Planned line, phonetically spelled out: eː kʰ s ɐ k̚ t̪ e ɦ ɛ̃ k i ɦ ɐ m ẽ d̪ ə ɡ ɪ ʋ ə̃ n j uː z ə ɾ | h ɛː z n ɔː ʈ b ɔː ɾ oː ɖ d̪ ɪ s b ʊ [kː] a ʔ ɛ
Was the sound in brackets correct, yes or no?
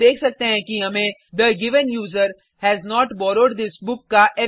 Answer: yes